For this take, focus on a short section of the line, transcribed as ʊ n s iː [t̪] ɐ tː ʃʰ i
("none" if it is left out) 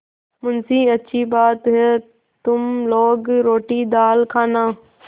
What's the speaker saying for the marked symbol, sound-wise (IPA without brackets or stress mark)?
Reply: none